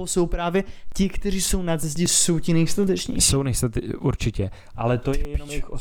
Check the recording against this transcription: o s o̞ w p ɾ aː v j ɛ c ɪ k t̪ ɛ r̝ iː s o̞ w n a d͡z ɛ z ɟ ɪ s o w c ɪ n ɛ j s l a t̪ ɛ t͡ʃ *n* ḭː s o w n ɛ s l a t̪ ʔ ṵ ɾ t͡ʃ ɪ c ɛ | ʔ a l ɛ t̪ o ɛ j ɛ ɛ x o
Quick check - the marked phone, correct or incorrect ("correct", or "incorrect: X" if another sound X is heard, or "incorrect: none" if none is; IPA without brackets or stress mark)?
incorrect: ɲ